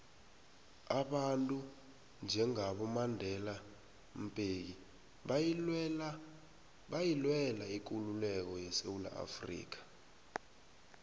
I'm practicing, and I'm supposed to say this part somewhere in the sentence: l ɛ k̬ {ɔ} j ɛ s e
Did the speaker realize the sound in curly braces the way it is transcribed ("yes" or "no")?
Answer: yes